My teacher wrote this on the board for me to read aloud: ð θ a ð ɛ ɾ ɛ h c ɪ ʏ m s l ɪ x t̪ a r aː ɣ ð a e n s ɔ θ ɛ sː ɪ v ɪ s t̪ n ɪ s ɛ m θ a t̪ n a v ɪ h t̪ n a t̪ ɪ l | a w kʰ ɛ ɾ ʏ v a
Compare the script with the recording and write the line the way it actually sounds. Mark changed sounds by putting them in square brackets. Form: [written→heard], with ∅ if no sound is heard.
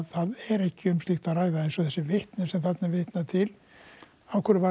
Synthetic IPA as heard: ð θ a ð ɛ ɾ ɛ h c ɪ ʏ m s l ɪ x t̪ a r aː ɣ ð a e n s ɔ θ ɛ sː ɪ v ɪ [s→h] t̪ n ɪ s ɛ m θ a t̪ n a v ɪ h t̪ n a [t̪→t̪ʰ] ɪ l | a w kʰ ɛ ɾ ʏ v a

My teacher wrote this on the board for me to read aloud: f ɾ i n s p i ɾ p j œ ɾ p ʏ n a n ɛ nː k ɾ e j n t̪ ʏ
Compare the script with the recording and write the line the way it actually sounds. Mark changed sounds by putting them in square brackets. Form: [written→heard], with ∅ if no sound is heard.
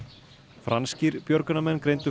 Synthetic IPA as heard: f ɾ [i→a] n s [p→c] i ɾ p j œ ɾ [p→k] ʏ n a [n→m] ɛ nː k ɾ e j n t̪ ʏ

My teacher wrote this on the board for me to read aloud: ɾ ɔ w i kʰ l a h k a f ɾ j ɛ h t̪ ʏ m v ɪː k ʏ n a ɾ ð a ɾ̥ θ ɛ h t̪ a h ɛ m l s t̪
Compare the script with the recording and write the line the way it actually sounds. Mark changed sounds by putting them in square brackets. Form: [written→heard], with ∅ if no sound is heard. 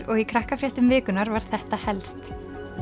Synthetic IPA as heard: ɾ ɔ [w→ɣ] i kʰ [l→ɾ] a h k a f ɾ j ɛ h t̪ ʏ m v ɪː k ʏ n a ɾ [ð→v] a ɾ̥ θ ɛ h t̪ a h ɛ [m→∅] l s t̪

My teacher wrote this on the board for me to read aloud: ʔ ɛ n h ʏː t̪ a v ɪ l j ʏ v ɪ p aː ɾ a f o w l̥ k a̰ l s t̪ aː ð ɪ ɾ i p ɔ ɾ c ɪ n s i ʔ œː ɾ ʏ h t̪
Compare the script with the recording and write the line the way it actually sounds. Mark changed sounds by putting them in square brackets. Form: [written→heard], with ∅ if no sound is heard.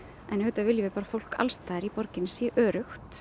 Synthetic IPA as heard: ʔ ɛ n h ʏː t̪ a v ɪ l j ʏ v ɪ p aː ɾ a f o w l̥ k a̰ l s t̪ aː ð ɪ ɾ i p ɔ ɾ c ɪ n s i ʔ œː ɾ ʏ [h→x] t̪

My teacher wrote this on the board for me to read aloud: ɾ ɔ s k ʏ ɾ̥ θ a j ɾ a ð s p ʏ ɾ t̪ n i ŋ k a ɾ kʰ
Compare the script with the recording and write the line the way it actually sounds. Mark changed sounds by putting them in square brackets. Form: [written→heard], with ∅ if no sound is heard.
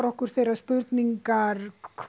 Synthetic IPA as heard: ɾ ɔ [s→h] k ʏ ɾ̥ θ [a→e] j ɾ a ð s p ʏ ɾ t̪ n i ŋ k a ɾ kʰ

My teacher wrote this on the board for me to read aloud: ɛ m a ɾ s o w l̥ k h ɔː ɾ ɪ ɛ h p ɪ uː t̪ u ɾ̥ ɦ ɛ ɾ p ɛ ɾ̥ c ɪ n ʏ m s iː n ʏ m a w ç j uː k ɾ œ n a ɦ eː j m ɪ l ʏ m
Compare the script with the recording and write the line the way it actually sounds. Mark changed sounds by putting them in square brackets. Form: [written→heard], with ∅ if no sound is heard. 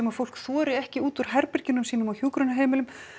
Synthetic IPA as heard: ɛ m a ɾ [s→f] o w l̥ k [h→θ] ɔː ɾ ɪ ɛ h [p→c] ɪ uː t̪ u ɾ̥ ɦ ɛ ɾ p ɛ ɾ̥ c ɪ n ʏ m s iː n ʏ m a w ç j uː k ɾ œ n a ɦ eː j m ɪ l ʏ m

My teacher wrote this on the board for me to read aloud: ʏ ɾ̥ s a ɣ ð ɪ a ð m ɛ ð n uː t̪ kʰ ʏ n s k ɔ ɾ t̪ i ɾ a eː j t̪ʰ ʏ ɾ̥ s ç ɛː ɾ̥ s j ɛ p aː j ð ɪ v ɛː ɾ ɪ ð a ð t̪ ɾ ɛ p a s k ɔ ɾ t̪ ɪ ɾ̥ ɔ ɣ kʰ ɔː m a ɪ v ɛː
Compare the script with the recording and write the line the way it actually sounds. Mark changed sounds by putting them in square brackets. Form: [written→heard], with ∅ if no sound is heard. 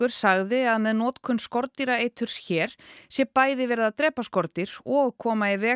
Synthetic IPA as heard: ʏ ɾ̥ s a ɣ ð ɪ a ð m ɛ ð n [uː→ɔː] t̪ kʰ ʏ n s k ɔ ɾ t̪ i ɾ a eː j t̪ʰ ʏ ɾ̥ s ç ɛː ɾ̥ s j ɛ p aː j ð ɪ v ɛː ɾ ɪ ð a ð t̪ ɾ [ɛ→ɛː] p a s k ɔ ɾ t̪ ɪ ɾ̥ ɔ ɣ kʰ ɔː m a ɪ v ɛː

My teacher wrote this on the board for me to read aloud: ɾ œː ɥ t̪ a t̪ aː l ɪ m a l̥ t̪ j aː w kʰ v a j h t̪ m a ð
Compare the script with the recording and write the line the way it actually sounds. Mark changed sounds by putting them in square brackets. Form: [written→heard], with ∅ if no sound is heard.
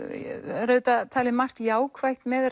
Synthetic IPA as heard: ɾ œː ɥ t̪ a [t̪→t̪ʰ] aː l ɪ m a [l̥→r̥] t̪ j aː w kʰ v a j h t̪ m [a→ɛ] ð

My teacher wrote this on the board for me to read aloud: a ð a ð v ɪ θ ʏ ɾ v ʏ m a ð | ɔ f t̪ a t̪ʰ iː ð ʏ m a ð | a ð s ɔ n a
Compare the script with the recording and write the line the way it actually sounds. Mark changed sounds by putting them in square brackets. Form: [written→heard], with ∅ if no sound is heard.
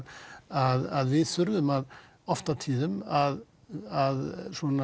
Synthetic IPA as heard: a ð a ð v ɪ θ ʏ ɾ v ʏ m a ð | ɔ f t̪ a t̪ʰ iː ð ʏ m a ð | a ð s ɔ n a

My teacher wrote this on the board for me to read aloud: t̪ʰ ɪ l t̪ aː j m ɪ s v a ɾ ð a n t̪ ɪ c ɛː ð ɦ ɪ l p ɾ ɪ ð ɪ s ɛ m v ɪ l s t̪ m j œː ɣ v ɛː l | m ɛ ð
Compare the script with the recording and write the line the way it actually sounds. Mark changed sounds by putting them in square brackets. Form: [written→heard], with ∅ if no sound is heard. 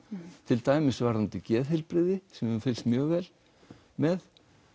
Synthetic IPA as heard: t̪ʰ ɪ l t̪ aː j m ɪ s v a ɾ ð a n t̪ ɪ c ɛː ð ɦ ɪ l p ɾ ɪ ð ɪ s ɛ m [v→f] ɪ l s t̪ m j œː ɣ v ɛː l | m ɛ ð

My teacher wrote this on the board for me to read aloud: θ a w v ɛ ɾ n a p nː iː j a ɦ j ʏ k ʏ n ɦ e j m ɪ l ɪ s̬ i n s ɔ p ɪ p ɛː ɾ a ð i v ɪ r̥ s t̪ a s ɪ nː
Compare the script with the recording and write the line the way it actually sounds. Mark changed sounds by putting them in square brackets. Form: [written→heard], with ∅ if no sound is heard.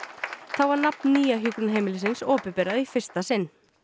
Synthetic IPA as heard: θ a w v [ɛ→a] ɾ n a p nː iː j a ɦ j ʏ k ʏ n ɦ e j m ɪ l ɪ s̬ [i→ɪ] n s [ɔ→ɔː] p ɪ p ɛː ɾ a ð i [v→f] ɪ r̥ s t̪ a s ɪ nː

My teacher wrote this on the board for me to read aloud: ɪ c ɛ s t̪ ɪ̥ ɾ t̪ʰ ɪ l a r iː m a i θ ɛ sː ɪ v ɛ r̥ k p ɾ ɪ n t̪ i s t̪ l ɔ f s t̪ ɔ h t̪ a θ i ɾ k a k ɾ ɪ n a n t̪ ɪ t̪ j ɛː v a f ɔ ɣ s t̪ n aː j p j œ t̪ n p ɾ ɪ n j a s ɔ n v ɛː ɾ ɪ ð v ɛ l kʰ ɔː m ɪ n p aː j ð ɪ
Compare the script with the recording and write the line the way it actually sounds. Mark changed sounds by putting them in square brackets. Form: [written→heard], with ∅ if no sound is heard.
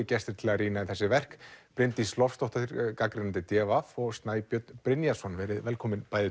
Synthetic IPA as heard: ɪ c ɛ s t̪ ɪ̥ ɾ t̪ʰ ɪ l a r iː [m→n] a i θ ɛ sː ɪ v ɛ r̥ k p ɾ ɪ n t̪ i s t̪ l ɔ f s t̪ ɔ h t̪ a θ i ɾ k a k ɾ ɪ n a n t̪ ɪ t̪ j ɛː v a f ɔ ɣ s t̪ n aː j p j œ t̪ n p ɾ ɪ n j a s ɔ n v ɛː ɾ ɪ ð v ɛ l kʰ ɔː m ɪ n p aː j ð ɪ

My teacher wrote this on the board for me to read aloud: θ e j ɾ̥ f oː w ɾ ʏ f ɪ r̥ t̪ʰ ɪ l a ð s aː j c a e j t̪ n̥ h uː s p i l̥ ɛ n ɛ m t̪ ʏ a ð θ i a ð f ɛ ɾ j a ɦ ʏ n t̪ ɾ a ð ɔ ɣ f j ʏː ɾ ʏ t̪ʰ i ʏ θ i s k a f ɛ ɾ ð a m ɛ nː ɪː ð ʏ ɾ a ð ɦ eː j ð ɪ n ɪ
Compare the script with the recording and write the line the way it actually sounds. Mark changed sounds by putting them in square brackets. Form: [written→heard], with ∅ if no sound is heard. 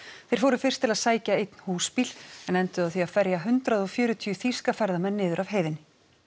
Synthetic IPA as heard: θ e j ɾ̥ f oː w ɾ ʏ f ɪ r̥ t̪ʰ ɪ l a ð s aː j c a e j t̪ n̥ h uː s p i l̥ ɛ n ɛ [m→n] t̪ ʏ a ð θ i a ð f ɛ ɾ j a ɦ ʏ n t̪ ɾ a ð ɔ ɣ f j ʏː ɾ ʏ t̪ʰ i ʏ θ i s k a f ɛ ɾ ð a m ɛ nː ɪː ð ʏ ɾ a [ð→v] ɦ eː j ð ɪ n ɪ

